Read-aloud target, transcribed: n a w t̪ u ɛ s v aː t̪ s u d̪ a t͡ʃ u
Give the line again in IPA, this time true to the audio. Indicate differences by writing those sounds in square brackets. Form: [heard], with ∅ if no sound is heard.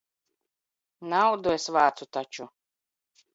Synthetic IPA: n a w [d̪] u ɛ s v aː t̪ s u [t̪] a t͡ʃ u